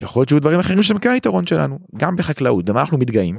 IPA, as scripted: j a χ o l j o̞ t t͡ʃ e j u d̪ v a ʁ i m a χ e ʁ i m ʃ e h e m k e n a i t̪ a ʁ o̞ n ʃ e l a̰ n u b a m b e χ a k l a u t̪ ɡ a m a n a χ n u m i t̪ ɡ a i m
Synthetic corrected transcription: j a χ o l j o̞ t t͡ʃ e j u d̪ v a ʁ i m a χ e ʁ i m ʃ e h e m k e n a i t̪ a ʁ o̞ n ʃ e l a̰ n u ɡ a m b e χ a k l a u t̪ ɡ a m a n a χ n u m i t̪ ɡ a i m